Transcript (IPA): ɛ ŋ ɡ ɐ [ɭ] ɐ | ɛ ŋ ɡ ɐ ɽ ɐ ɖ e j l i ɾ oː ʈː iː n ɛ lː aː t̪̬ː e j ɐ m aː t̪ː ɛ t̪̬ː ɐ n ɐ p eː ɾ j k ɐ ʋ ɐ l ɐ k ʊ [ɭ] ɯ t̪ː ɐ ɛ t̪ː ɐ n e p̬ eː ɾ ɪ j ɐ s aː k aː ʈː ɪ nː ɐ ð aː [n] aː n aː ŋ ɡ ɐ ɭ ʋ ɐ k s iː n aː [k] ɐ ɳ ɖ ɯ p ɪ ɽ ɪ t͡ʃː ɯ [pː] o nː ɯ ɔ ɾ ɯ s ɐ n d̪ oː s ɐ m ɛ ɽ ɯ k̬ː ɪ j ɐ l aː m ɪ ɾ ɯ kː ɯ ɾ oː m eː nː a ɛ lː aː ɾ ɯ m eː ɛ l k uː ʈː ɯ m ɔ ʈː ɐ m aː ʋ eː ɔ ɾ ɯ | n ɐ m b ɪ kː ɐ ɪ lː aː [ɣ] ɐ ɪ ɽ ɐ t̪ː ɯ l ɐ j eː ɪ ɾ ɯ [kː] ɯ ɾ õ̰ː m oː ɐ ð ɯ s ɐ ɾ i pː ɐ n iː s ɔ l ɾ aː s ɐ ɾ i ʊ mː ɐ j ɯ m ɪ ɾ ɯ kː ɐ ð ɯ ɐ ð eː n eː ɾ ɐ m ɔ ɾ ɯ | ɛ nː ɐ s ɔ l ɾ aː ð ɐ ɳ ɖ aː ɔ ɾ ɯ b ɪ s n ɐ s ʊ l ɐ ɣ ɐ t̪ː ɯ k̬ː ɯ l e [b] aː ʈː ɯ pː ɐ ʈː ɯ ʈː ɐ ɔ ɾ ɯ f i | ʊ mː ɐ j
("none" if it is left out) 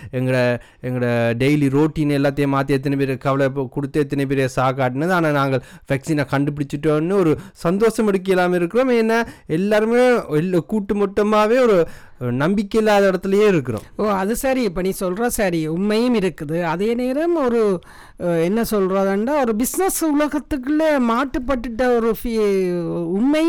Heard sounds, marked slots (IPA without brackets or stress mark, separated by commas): ɽ, ɽ, n, k, ʈː, ð, kː, m